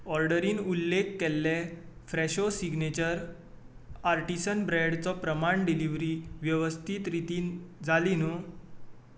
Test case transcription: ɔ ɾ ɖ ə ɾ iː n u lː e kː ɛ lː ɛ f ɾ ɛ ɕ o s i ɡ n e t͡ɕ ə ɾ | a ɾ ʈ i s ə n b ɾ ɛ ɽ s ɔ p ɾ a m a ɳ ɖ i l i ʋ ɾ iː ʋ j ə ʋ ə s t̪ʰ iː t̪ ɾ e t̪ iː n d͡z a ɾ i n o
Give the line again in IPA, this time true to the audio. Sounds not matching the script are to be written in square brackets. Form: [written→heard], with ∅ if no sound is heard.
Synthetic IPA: ɔ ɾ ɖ ə ɾ iː n u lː e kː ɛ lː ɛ f ɾ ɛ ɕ o s i ɡ n e t͡ɕ ə ɾ | a ɾ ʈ i s ə n b ɾ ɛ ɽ [s→t͡s] ɔ p ɾ [a→ə] m a ɳ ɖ i l i ʋ ɾ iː ʋ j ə ʋ ə s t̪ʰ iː t̪ ɾ [e→i] t̪ iː n d͡z a [ɾ→l] i n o